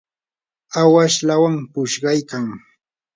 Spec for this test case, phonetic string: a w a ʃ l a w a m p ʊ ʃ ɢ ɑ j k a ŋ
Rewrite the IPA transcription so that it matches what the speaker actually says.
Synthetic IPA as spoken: a w a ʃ l a w a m p ʊ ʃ ɢ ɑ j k a ŋ